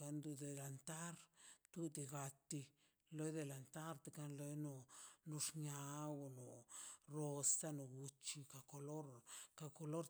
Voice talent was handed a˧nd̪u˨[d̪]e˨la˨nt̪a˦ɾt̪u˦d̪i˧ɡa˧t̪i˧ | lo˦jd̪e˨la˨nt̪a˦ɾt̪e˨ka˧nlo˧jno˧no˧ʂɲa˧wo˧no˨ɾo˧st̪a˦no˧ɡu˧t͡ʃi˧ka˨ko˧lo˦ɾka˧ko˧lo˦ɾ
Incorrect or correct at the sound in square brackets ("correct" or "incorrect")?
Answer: correct